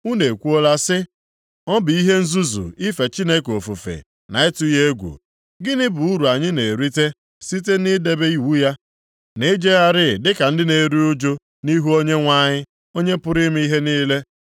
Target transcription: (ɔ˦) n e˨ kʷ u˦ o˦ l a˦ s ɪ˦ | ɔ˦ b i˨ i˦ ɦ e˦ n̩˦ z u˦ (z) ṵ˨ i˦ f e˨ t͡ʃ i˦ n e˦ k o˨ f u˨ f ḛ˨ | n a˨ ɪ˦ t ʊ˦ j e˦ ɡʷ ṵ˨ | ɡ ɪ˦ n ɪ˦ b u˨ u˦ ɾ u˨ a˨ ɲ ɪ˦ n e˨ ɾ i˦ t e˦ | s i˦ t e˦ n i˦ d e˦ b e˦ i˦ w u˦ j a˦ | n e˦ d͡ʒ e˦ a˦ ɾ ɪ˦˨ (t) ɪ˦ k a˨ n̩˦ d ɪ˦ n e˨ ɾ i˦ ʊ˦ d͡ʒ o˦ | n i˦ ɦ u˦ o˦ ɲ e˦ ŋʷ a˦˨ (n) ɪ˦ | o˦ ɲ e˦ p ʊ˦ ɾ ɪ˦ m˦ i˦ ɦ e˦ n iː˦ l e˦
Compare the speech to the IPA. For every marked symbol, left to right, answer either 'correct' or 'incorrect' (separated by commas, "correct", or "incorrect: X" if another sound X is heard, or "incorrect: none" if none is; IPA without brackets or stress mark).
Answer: incorrect: u˦, correct, incorrect: d, incorrect: ɲ